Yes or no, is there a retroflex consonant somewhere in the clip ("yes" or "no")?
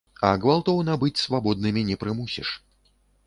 yes